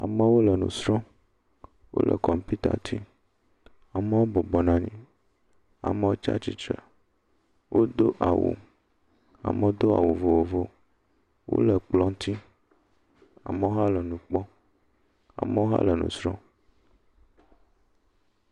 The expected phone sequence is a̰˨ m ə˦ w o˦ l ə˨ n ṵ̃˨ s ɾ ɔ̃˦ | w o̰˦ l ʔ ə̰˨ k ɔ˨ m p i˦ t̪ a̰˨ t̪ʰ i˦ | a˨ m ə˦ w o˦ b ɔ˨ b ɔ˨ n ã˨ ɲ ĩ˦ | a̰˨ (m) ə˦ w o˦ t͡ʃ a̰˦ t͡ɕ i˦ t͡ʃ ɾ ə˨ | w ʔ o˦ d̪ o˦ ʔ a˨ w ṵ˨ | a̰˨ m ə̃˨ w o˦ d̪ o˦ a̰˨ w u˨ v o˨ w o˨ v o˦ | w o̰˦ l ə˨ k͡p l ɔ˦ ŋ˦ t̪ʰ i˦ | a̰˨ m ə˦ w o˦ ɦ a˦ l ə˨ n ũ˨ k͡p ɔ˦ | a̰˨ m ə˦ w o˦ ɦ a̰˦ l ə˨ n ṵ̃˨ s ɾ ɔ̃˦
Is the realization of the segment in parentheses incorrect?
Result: no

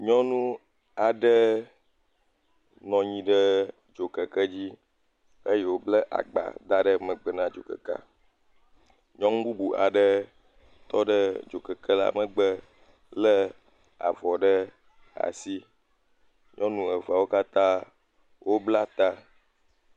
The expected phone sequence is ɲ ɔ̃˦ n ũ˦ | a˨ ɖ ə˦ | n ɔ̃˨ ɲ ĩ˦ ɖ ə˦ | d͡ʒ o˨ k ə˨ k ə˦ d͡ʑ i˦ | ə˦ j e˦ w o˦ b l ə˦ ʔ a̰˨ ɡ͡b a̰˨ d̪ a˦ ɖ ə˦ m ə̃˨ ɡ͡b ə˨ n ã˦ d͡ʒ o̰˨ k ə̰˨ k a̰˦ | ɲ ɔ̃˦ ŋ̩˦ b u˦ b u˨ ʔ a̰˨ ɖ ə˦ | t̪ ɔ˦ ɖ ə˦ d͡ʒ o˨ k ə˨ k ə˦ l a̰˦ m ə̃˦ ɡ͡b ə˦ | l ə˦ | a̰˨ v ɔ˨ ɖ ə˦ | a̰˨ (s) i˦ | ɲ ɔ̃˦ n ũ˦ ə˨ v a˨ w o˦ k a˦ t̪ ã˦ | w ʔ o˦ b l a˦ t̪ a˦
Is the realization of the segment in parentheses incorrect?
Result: no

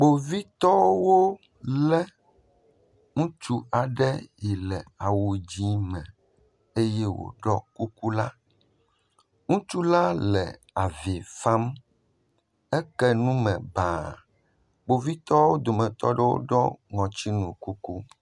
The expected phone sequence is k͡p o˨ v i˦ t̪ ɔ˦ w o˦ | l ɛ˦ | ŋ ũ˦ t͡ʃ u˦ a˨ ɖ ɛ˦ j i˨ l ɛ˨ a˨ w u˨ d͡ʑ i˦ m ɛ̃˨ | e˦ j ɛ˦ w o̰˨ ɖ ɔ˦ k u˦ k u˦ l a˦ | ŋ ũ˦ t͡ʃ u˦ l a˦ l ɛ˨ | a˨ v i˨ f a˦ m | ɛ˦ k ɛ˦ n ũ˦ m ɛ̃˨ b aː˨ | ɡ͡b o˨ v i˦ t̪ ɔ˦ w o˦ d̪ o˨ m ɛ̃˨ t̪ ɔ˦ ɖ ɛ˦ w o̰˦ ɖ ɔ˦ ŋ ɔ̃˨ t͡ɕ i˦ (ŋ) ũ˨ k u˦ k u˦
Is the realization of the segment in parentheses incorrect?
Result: yes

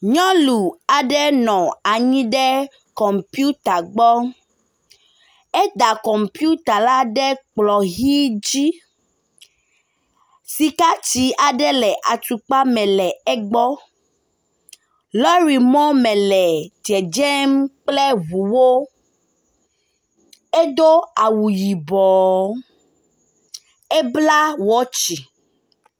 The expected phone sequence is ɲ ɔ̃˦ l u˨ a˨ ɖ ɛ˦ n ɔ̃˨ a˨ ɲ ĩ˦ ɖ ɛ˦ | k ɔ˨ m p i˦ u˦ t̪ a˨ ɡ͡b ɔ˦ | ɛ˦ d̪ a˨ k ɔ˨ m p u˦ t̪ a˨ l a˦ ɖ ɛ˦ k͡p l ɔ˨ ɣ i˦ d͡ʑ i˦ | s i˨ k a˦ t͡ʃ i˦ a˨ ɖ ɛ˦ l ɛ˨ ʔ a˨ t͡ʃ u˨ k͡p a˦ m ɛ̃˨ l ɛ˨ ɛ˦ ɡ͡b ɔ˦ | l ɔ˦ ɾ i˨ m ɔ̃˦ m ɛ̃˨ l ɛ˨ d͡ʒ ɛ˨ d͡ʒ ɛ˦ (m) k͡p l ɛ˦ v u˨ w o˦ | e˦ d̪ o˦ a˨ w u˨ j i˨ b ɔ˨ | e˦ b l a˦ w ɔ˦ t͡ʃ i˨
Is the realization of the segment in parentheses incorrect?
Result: no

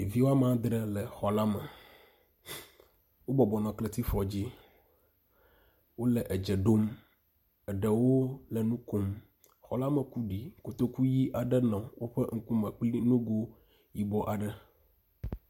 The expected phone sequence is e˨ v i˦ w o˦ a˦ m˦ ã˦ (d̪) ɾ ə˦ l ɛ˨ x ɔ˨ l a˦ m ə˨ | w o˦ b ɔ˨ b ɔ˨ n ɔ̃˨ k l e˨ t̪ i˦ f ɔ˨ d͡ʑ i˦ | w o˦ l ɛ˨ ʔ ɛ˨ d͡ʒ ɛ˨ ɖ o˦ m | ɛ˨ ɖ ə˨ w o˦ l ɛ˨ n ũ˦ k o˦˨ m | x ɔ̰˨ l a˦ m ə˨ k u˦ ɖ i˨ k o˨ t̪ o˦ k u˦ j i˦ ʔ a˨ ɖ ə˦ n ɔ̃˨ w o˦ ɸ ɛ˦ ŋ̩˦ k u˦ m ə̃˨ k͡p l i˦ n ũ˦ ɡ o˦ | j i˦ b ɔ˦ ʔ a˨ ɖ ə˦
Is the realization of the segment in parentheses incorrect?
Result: no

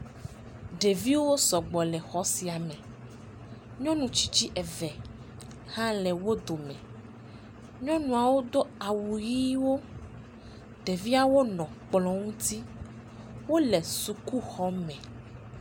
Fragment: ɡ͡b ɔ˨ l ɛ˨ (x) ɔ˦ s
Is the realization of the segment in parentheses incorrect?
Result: no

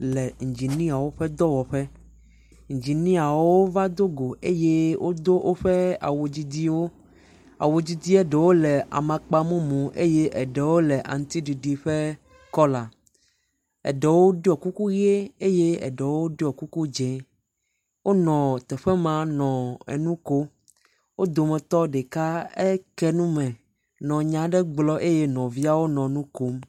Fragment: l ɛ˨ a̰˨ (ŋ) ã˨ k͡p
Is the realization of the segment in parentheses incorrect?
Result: yes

